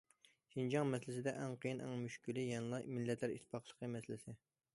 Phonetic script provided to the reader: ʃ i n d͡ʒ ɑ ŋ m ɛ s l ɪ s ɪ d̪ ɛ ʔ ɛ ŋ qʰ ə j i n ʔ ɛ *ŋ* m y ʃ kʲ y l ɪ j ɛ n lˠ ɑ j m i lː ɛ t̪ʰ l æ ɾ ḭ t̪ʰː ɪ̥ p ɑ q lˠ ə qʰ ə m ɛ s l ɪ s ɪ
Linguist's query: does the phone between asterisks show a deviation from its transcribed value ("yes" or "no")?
no